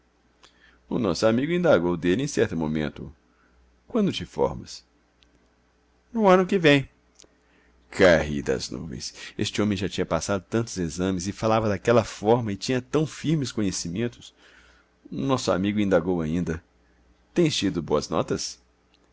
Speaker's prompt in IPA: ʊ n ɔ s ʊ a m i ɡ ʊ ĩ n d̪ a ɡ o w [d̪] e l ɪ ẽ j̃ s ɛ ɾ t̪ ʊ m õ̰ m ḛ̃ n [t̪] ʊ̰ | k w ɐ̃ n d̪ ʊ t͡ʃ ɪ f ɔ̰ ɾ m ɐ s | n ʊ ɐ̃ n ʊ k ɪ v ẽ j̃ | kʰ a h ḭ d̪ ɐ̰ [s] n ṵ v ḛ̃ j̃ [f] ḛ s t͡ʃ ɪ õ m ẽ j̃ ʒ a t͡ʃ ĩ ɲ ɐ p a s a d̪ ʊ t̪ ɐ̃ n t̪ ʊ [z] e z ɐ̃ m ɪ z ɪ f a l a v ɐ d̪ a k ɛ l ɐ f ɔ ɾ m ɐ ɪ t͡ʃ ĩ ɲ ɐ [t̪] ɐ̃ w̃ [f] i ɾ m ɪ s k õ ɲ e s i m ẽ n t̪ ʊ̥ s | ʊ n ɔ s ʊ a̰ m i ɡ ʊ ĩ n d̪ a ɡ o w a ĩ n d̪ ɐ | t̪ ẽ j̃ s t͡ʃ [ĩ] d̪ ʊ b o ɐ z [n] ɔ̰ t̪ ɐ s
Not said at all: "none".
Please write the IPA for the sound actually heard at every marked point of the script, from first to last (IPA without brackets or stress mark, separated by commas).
d̪, t̪, z, s, z, t̪, f, i, n